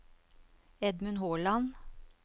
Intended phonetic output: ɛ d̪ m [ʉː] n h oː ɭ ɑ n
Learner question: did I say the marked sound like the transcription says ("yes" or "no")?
no